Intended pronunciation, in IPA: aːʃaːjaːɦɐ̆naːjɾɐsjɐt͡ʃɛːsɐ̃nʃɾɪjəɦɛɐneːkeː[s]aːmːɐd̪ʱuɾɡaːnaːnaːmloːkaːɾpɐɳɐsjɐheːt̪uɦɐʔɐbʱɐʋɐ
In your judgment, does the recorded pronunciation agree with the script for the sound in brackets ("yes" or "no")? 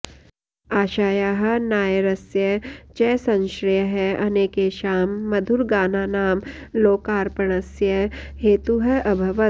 no